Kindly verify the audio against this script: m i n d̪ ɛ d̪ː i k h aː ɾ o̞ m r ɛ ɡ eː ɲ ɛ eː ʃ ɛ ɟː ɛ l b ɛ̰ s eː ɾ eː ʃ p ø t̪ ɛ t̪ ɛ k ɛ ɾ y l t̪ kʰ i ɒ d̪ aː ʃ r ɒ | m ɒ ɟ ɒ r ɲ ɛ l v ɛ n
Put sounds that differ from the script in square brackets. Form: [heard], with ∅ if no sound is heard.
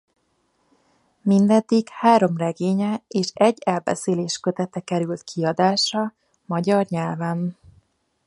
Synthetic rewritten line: m i n d̪ ɛ d̪ː i k h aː ɾ o̞ m r ɛ ɡ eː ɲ ɛ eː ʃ ɛ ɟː ɛ l b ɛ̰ s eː [l] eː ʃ [k] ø t̪ ɛ t̪ ɛ k ɛ ɾ y l t̪ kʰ i ɒ d̪ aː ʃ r ɒ | m ɒ ɟ ɒ r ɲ ɛ l v ɛ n